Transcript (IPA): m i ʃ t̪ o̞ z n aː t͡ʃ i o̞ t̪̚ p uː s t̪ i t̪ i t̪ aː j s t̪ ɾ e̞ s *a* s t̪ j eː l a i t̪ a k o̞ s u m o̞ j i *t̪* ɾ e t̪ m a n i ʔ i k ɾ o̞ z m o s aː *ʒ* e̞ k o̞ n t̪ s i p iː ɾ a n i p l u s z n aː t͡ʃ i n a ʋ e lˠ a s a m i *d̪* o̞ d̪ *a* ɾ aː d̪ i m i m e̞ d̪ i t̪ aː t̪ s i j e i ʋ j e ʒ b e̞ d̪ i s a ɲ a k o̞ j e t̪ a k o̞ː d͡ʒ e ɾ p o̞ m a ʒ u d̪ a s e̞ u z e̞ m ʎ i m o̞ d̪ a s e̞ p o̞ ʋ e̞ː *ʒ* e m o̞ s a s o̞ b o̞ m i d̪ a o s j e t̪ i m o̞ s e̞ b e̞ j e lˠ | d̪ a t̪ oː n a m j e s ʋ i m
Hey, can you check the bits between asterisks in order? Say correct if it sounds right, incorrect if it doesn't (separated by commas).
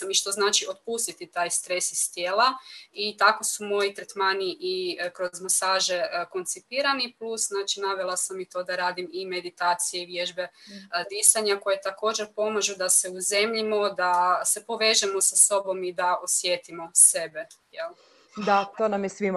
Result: incorrect, correct, correct, incorrect, correct, correct